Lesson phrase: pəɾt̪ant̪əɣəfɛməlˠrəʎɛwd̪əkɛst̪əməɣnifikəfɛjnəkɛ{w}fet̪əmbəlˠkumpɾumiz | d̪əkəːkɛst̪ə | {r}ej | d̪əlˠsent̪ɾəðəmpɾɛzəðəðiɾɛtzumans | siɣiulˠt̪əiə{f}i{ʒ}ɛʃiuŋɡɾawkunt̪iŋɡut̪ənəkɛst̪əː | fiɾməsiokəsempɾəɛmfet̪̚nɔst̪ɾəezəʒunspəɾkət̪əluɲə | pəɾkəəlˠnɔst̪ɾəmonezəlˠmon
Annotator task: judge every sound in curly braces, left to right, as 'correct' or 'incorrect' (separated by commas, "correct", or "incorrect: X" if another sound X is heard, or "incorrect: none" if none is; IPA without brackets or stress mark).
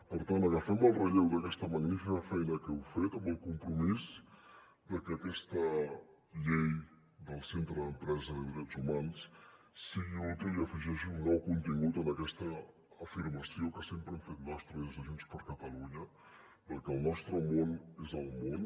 correct, incorrect: ʎ, correct, correct